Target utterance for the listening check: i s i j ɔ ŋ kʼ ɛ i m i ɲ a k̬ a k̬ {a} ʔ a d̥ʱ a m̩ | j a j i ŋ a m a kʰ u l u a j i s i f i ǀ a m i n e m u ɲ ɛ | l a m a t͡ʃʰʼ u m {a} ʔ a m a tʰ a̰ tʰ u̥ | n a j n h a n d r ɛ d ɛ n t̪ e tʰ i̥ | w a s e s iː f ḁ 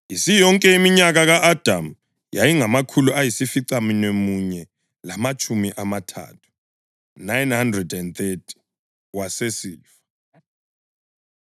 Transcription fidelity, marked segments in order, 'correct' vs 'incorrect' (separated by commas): correct, incorrect